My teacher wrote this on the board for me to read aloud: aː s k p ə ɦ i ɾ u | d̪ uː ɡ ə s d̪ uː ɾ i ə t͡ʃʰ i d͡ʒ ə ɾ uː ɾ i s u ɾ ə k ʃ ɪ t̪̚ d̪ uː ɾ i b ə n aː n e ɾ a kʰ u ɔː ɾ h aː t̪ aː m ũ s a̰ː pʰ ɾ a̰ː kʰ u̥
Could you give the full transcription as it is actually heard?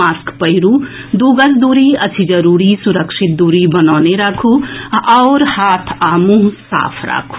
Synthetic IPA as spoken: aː s k p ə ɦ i ɾ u | d̪ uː ɡ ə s d̪ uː ɾ i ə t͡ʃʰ i d͡ʒ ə ɾ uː ɾ i s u ɾ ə k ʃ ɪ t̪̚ d̪ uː ɾ i b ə n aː n e ɾ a kʰ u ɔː ɾ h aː t̪ʰ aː m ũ s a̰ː pʰ ɾ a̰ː kʰ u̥